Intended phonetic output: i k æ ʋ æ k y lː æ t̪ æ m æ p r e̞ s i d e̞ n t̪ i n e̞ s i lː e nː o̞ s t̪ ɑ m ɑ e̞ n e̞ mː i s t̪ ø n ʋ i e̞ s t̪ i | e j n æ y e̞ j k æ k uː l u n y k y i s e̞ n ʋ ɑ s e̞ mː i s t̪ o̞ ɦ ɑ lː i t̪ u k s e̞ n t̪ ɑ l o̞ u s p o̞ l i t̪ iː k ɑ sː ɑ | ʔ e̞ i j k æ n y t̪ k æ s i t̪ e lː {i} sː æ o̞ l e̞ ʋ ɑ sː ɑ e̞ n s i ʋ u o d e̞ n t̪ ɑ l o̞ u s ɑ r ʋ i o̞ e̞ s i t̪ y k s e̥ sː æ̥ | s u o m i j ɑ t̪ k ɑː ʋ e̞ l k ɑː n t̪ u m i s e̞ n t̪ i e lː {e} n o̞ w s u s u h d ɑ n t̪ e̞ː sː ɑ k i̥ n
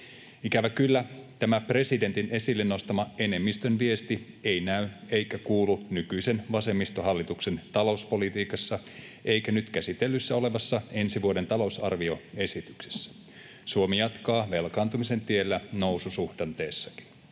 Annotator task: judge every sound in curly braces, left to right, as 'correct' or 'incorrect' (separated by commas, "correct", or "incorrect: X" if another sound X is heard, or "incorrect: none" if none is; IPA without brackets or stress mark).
incorrect: y, incorrect: æ